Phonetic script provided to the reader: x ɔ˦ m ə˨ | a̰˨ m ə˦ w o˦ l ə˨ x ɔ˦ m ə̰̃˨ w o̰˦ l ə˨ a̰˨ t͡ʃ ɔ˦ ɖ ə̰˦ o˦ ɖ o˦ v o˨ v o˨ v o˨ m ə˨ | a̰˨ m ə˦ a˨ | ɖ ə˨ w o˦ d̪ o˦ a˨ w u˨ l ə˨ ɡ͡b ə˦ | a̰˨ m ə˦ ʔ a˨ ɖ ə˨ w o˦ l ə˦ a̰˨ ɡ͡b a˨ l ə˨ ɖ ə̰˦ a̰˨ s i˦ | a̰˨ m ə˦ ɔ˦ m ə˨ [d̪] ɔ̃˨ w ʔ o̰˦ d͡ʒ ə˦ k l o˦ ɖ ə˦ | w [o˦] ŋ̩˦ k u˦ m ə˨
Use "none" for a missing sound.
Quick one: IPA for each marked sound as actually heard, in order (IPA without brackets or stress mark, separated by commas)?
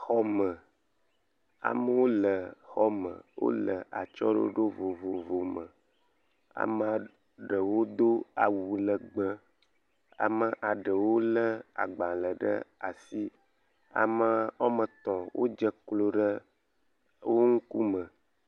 t̪, o˦